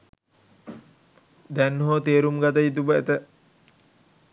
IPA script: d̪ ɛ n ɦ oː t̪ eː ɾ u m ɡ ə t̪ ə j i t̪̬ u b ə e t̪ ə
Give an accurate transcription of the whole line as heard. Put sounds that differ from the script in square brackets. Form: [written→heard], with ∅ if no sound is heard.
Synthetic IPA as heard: d̪ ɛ n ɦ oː t̪ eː ɾ u m ɡ [ə→a] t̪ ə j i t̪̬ u b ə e t̪ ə